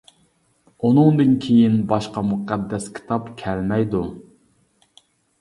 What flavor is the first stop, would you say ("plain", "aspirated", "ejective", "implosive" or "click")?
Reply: plain